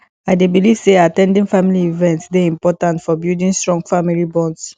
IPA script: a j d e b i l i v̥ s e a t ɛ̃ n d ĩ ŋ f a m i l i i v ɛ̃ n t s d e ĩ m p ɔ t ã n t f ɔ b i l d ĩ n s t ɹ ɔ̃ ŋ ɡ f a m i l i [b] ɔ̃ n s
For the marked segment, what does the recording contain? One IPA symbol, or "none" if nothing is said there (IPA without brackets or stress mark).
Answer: b